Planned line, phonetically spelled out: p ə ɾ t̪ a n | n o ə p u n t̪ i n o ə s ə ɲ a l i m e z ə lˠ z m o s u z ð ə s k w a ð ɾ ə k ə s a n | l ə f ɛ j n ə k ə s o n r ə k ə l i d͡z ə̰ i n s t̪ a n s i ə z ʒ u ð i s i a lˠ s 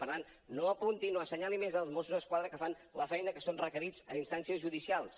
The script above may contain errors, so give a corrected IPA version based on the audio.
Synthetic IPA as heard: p ə ɾ t̪ a n | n o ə p u n t̪ i n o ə s ə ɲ a l i m e z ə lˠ z m o s u z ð ə s k w a ð ɾ ə k ə f a n | l ə f ɛ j n ə k ə s o n r ə k ə ɾ i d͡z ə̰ i n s t̪ a n s i ə z ʒ u ð i s i a lˠ s